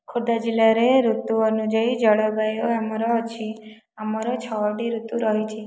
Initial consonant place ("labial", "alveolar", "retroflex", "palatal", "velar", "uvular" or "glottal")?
velar